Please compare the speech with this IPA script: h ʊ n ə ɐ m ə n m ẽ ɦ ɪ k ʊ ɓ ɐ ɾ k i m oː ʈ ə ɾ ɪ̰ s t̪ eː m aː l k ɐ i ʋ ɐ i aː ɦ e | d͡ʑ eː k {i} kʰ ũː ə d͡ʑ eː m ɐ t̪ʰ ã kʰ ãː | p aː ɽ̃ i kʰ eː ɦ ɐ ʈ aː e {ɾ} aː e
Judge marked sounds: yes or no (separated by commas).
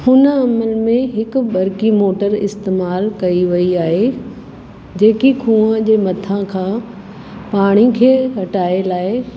yes, no